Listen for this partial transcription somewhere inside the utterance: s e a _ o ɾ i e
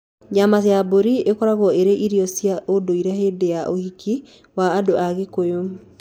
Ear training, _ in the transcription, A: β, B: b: B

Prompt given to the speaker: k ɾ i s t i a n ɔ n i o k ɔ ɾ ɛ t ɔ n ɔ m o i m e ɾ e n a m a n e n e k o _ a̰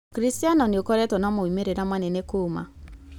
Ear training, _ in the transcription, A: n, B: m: B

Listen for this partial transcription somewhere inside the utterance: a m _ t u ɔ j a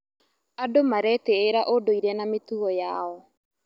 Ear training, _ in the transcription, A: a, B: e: B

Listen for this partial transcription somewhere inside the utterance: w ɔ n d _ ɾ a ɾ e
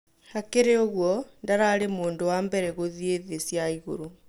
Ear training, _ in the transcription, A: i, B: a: B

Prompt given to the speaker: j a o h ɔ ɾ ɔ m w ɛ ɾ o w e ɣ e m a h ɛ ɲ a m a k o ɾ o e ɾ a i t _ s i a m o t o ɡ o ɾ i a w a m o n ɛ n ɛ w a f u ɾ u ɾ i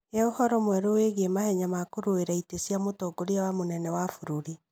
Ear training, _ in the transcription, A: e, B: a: A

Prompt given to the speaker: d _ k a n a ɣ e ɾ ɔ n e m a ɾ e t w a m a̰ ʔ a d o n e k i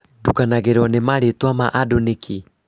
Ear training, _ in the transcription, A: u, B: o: A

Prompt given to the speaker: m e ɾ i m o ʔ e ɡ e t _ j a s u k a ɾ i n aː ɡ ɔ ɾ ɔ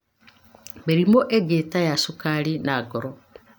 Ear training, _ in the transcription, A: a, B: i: A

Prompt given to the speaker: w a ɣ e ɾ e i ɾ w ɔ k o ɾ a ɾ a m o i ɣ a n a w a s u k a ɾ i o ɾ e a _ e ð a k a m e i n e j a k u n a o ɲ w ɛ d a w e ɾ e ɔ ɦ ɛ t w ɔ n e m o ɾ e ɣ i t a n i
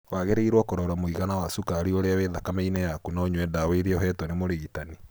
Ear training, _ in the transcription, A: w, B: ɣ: A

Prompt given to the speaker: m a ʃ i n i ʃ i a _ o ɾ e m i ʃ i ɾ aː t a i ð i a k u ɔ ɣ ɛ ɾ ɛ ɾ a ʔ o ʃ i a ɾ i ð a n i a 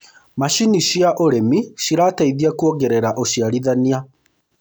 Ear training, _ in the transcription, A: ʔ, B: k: A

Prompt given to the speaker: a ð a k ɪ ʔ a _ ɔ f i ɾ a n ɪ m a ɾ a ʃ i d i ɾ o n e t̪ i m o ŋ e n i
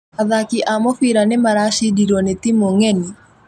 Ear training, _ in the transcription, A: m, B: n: A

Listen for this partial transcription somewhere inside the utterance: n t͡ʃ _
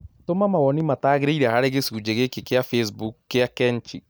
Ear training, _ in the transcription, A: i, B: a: A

